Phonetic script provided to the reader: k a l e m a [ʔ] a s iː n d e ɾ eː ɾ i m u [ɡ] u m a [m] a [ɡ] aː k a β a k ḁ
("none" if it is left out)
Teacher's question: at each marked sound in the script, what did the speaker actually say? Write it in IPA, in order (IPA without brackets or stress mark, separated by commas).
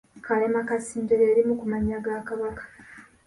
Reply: k, k, ɲ, ɡ